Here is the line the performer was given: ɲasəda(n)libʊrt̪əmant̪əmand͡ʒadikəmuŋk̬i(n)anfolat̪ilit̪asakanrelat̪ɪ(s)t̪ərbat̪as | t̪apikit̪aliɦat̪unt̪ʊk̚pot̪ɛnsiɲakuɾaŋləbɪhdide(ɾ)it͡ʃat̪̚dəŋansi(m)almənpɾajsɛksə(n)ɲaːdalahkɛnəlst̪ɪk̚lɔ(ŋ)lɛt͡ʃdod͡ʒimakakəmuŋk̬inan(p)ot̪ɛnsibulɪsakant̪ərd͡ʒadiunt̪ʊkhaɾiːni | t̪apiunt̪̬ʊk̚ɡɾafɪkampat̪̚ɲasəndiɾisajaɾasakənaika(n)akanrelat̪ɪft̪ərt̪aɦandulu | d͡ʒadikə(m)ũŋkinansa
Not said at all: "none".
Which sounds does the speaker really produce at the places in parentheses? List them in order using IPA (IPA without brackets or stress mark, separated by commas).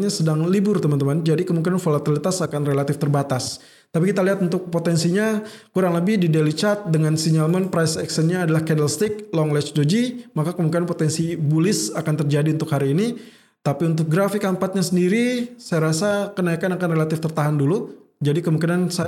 ŋ, n, f, l, ɲ, n, ŋ, p, n, m